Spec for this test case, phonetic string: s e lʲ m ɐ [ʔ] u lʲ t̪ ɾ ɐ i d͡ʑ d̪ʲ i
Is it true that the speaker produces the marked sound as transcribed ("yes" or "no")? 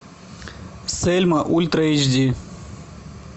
yes